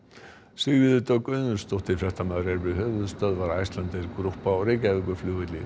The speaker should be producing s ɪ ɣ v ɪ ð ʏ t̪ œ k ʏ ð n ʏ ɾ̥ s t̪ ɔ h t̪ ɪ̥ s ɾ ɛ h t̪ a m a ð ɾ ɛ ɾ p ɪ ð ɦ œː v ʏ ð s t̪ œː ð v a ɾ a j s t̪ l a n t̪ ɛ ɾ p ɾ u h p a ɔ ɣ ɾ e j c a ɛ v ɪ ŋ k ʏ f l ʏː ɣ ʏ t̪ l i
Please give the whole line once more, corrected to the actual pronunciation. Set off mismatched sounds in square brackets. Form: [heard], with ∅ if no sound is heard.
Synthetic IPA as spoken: s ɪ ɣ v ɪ ð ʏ t̪ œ k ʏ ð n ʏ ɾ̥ s t̪ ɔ h t̪ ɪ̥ [f] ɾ ɛ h t̪ a m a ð ɾ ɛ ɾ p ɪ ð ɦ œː v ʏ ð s t̪ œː ð v a ɾ a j s t̪ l a n t̪ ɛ ɾ [k] ɾ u h p a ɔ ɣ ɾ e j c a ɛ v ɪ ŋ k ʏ f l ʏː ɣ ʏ t̪ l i